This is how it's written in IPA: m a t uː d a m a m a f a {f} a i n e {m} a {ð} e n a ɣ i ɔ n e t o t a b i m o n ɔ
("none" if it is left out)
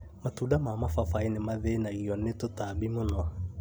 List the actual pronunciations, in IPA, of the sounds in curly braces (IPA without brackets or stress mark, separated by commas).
f, m, ð